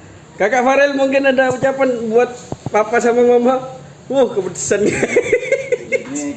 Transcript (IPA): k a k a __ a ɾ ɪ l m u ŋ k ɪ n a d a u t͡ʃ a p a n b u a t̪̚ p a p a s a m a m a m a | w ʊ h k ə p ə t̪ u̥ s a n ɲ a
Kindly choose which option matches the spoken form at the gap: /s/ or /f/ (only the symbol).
f